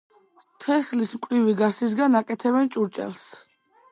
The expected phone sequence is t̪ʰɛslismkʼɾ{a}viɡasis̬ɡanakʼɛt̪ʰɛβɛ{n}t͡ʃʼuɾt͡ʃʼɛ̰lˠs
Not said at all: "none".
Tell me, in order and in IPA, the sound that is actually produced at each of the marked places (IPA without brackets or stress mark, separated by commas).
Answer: i, n